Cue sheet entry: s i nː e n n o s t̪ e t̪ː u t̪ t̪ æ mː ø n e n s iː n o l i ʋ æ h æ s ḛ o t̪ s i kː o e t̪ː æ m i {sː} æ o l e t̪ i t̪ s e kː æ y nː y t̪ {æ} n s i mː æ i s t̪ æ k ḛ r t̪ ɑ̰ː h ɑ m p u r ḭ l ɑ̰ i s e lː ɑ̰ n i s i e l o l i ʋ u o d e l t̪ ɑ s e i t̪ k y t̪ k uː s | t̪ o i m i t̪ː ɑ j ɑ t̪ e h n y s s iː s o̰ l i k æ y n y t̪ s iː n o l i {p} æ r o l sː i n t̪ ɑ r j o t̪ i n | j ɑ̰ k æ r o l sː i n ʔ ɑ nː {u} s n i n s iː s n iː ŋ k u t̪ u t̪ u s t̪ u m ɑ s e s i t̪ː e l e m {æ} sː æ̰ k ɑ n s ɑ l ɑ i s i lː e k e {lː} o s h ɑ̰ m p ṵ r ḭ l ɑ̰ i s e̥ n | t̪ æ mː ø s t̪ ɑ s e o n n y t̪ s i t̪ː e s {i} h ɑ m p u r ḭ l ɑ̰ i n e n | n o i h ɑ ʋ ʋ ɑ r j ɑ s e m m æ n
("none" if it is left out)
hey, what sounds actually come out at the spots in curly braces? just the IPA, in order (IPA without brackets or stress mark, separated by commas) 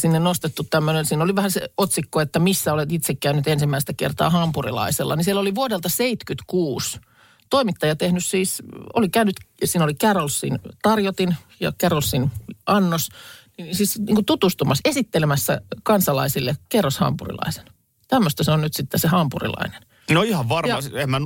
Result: sː, e, k, o, æ, rː, e